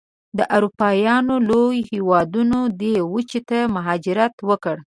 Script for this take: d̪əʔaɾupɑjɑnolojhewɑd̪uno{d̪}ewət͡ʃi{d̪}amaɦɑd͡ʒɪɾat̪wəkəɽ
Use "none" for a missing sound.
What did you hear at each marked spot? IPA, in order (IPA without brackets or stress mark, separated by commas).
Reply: d̪, t̪